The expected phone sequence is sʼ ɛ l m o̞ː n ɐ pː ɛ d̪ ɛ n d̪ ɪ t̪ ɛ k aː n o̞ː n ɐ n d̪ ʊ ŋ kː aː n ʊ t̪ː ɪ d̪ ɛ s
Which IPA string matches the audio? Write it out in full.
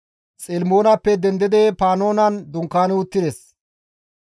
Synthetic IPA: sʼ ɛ l m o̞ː n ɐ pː ɛ d̪ ɛ n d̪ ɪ d̪ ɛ p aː n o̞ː n ɐ n d̪ ʊ ŋ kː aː n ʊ t̪ː ɪ d̪ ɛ s